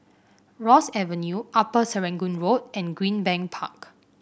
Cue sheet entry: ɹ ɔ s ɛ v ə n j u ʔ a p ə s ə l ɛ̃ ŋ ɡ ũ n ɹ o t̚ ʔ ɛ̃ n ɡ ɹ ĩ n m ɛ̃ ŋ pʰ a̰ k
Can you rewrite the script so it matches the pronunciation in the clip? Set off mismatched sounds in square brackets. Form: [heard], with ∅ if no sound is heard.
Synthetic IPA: ɹ ɔ s ɛ v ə n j u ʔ a p ə s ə [ɹ] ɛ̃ ŋ ɡ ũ n ɹ o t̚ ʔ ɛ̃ n ɡ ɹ ĩ n [b] ɛ̃ ŋ pʰ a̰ k